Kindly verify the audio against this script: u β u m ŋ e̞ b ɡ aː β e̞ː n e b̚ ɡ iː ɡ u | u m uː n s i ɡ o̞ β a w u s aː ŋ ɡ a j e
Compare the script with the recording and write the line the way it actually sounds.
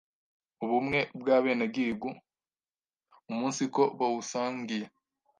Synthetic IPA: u β u m ŋ e̞ b ɡ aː β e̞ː n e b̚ ɡ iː ɡ u | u m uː n s i k o̞ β a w u s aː ŋ ɡ i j e